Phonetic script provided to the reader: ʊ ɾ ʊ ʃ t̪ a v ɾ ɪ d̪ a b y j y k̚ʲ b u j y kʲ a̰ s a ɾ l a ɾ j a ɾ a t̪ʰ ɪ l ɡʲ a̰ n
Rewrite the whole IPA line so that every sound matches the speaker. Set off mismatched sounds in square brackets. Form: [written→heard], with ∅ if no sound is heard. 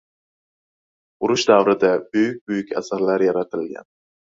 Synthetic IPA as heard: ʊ ɾ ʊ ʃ [t̪→d̪] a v ɾ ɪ d̪ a b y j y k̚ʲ b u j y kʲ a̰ s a ɾ l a ɾ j a ɾ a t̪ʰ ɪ l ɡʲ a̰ n